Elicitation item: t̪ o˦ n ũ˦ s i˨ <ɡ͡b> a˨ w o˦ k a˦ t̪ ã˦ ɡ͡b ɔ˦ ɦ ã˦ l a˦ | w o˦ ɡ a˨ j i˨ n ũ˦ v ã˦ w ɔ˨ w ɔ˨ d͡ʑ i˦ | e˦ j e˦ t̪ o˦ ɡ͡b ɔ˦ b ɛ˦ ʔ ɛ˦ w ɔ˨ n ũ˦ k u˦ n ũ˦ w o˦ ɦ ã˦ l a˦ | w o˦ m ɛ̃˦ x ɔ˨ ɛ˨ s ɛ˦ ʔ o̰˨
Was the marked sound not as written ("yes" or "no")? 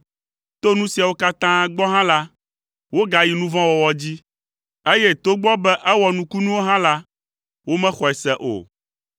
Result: yes